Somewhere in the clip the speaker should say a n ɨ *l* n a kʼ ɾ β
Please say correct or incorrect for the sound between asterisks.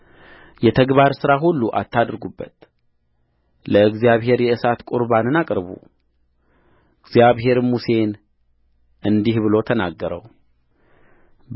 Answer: incorrect